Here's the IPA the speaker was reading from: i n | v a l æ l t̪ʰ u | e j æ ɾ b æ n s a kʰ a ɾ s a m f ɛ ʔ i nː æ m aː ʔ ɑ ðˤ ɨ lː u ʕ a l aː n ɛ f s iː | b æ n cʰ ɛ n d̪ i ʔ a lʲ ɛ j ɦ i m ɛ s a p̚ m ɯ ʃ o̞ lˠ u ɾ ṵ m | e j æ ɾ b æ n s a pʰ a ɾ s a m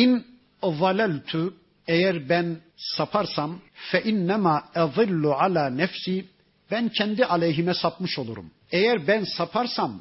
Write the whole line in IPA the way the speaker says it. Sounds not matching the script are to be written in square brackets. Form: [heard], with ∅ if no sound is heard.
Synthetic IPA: i n | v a l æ l t̪ʰ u | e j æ ɾ b æ n s a [pʰ] a ɾ s a m f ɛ ʔ i nː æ m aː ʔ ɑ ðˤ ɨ lː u ʕ a l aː n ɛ f s iː | b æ n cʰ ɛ n d̪ i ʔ a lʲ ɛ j ɦ i m ɛ s a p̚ m ɯ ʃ o̞ lˠ u ɾ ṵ m | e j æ ɾ b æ n s a pʰ a ɾ s a m